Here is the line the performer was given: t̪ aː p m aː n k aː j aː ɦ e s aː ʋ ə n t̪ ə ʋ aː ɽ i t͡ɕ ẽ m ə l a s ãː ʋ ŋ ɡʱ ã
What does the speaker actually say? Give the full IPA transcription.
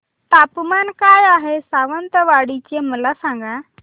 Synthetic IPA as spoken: t̪ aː p m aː n k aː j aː ɦ e s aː ʋ ə n t̪ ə ʋ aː ɽ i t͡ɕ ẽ m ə l a s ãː ŋ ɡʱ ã